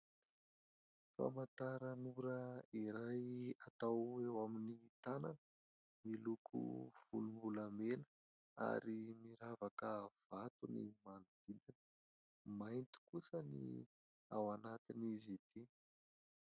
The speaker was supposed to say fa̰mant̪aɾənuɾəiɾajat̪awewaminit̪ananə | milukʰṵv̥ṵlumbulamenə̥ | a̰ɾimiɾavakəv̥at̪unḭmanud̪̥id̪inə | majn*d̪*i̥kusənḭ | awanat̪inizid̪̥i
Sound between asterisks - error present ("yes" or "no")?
yes